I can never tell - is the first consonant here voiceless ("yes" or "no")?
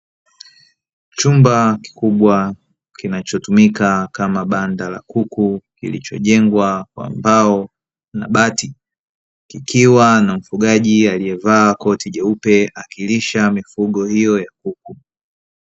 yes